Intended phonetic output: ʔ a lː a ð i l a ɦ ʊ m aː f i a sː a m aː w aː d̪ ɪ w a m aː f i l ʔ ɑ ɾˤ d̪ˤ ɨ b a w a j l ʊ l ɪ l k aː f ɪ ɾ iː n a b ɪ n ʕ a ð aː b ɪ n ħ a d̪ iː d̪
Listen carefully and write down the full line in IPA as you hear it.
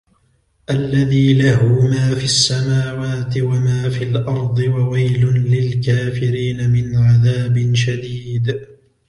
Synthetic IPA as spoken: ʔ a lː a ð iː l a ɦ ʊ m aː f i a sː a m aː w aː t̪ ɪ w a m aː f i l ʔ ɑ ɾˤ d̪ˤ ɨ w a w a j l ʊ l ɪ l k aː f ɪ ɾ iː n a m ɪ n ʕ a ð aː b ɪ n ʃ a d̪ iː d̪